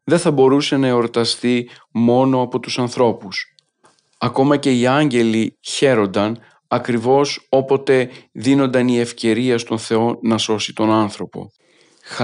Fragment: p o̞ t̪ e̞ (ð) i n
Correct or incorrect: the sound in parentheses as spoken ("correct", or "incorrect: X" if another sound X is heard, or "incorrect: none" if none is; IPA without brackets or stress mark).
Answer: correct